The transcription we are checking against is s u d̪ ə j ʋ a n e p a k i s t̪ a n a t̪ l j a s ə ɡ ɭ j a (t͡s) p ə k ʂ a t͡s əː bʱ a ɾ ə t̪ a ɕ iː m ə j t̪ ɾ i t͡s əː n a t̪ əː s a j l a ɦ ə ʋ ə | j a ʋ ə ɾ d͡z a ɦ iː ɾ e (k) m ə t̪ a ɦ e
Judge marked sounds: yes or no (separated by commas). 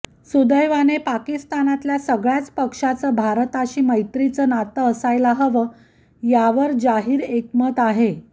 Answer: yes, yes